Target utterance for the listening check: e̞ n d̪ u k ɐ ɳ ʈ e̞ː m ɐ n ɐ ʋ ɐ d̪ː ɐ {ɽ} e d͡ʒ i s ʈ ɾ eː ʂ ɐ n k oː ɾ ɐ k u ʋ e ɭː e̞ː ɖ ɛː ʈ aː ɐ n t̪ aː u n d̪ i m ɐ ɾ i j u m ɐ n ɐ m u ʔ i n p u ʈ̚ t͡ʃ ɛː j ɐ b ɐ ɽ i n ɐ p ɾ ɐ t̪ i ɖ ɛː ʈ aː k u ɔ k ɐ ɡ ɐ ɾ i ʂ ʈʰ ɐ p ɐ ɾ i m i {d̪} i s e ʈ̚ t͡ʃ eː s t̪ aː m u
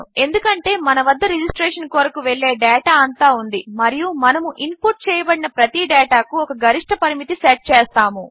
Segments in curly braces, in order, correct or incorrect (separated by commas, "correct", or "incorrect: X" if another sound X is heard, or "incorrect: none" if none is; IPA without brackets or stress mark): incorrect: ɾ, incorrect: t̪